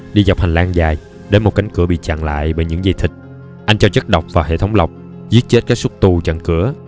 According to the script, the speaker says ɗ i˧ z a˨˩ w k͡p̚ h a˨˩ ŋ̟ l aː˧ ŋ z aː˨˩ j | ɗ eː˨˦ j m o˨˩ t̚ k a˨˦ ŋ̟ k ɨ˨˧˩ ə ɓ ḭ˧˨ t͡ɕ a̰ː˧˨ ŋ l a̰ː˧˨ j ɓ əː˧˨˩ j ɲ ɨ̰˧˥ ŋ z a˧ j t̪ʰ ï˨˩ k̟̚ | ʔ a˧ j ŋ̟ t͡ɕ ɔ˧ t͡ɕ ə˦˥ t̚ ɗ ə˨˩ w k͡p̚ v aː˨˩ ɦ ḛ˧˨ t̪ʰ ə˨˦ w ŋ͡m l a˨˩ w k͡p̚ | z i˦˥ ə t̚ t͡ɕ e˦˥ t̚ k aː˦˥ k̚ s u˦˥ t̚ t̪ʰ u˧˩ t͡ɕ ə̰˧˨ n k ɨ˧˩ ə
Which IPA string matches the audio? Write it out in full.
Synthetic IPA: ɗ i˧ z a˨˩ w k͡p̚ h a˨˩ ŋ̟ l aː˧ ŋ z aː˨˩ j | ɗ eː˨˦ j m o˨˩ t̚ k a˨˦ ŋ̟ k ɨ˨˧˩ ə ɓ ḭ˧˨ t͡ɕ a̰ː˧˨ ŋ l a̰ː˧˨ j ɓ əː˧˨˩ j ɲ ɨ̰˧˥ ŋ z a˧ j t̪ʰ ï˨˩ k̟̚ | ʔ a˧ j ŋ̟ t͡ɕ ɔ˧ t͡ɕ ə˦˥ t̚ ɗ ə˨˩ w k͡p̚ v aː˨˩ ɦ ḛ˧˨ t̪ʰ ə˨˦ w ŋ͡m l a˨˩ w k͡p̚ | z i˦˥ ə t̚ t͡ɕ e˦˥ t̚ k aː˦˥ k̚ s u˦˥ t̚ t̪ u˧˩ t͡ɕ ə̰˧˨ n k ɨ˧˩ ə